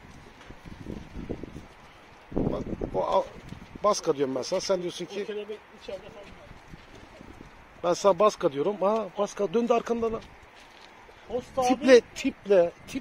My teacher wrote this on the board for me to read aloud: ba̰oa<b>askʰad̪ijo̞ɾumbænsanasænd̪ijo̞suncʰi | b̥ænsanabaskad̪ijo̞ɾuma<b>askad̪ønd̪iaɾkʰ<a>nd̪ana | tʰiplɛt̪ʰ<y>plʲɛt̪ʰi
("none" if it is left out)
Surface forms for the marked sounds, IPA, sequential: b, b, a, i

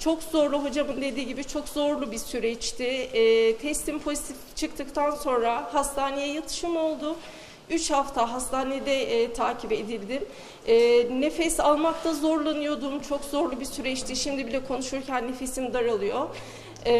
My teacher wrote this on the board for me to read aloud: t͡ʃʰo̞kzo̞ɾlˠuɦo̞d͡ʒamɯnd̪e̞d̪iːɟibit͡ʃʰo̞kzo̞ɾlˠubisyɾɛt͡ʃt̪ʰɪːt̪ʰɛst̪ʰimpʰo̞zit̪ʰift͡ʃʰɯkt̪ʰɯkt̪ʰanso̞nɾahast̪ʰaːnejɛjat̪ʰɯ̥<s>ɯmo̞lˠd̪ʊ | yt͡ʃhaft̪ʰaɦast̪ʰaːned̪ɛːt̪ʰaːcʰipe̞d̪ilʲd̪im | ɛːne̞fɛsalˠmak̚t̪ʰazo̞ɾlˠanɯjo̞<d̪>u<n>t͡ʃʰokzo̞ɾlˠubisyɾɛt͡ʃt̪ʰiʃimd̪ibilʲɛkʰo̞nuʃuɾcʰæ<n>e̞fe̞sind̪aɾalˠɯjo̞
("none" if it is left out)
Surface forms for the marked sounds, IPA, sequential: ʃ, d̪, m, nː

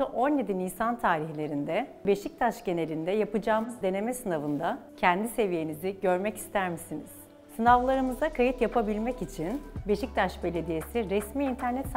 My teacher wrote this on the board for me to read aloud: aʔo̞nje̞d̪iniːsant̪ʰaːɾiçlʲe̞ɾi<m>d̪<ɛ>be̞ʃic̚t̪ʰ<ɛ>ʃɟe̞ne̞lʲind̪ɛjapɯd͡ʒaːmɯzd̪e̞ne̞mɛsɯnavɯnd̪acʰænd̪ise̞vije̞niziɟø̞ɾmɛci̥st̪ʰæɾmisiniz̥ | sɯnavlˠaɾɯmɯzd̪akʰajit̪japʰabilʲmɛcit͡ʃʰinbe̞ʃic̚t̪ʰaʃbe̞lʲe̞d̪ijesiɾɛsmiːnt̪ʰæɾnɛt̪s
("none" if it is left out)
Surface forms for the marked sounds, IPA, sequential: n, ɛ, a

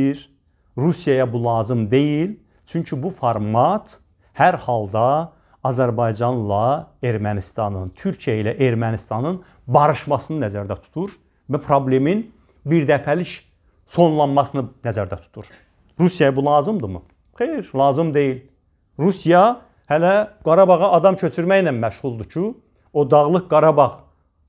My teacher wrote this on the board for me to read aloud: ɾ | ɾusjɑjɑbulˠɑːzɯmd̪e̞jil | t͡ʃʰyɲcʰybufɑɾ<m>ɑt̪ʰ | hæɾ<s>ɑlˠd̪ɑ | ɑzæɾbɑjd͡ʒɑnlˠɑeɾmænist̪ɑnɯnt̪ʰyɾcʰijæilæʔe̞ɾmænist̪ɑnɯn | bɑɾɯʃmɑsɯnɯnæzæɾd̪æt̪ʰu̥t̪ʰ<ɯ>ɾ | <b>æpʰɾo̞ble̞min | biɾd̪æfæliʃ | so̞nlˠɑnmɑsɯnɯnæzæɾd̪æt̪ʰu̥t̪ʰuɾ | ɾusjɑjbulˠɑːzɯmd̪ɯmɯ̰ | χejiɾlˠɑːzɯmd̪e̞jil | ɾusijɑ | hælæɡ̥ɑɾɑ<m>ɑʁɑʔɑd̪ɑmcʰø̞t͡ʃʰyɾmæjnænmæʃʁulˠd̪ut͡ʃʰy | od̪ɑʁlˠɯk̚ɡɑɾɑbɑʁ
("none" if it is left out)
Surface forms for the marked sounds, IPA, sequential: m, h, u, v, b

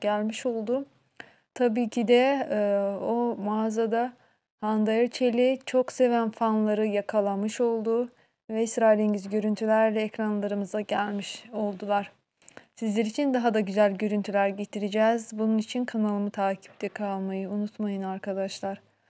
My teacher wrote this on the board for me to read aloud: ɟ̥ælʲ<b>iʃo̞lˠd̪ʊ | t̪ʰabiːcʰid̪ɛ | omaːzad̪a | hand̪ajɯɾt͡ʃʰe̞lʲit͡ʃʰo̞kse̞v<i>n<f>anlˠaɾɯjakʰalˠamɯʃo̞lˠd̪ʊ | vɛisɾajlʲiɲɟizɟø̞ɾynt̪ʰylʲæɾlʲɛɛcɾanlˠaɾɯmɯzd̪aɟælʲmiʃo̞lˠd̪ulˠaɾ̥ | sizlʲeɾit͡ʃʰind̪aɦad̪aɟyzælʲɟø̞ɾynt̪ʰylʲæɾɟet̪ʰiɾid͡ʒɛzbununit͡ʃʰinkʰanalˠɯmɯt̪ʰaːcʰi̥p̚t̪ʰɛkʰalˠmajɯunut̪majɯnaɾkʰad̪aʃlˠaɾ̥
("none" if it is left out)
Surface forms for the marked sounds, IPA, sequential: m, æ, f

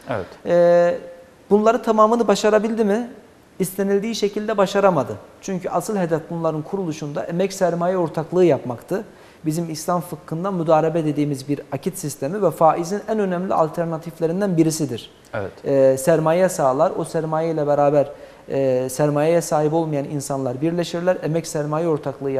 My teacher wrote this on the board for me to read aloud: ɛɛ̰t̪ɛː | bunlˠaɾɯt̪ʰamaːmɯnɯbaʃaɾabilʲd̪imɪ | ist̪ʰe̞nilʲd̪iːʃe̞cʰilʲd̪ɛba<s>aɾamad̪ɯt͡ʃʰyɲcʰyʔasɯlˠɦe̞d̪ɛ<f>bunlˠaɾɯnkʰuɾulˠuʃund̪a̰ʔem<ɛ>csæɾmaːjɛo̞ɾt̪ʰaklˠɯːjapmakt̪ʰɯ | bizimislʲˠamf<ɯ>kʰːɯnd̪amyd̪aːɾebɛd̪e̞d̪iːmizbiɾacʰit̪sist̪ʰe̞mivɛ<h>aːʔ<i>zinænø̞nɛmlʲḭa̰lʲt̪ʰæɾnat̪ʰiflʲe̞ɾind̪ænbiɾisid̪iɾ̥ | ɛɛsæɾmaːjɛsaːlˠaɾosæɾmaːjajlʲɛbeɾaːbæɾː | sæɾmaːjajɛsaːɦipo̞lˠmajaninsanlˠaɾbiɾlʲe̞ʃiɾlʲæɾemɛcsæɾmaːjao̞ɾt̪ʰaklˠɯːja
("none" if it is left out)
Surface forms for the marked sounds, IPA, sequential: ʃ, f, ɛ, ɯ, f, i

